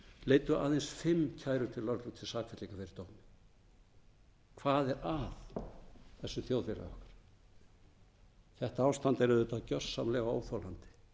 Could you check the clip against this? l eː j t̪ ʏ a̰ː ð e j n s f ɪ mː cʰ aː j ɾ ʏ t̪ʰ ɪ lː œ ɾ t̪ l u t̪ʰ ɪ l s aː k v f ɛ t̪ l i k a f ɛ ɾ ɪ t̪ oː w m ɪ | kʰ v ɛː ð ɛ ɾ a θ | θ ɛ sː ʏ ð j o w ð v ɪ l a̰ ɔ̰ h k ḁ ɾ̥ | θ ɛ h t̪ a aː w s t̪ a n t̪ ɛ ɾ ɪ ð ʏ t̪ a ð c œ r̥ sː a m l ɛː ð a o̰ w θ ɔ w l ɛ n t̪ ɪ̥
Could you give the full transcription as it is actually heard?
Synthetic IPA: l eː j t̪ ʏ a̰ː ð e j n s f ɪ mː cʰ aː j ɾ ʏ t̪ʰ ɪ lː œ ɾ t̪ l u t̪ʰ ɪ l s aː k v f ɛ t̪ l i k a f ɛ ɾ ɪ t̪ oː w m ɪ | kʰ v aː ð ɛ ɾ a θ | θ ɛ sː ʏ θ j o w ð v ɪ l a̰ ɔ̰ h k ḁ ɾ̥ | θ ɛ h t̪ a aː w s t̪ a n t̪ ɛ ɾ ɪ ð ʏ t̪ a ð c œ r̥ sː a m l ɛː ɣ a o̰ w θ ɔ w l a n t̪ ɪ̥